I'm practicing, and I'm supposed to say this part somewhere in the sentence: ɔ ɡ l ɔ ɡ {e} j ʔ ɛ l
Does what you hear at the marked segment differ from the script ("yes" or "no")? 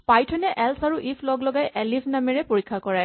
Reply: yes